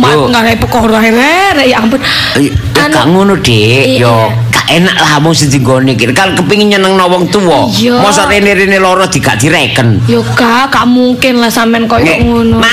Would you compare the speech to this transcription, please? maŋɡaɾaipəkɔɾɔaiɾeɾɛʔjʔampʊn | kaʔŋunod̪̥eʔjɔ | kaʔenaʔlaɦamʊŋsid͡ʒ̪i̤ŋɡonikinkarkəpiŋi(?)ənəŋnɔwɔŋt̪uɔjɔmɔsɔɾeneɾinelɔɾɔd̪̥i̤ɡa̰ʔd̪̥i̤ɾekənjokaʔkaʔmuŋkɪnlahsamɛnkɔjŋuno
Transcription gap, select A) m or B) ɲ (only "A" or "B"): B